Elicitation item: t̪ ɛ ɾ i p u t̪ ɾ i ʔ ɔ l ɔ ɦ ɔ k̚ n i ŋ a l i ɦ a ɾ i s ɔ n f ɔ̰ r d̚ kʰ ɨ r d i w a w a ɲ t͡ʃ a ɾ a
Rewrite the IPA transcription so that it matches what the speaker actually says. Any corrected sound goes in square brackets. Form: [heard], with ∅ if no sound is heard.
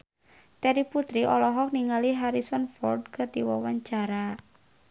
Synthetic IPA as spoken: t̪ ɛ ɾ i p u t̪ ɾ i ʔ ɔ l ɔ ɦ ɔ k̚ n i ŋ a l i ɦ a ɾ i s ɔ n f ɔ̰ r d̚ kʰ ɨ r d i w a w a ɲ t͡ʃ a ɾ a